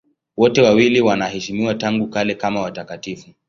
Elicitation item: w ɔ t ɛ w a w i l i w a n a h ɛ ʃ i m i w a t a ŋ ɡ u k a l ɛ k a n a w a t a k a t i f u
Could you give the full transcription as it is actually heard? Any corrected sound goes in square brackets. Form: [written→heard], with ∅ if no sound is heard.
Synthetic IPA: w ɔ t ɛ w a w i l i w a n a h ɛ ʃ i m i w a t a ŋ ɡ u k a l ɛ k a [n→m] a w a t a k a t i f u